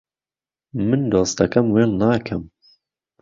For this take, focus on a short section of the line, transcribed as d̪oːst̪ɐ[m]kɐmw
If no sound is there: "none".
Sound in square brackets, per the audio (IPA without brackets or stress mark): none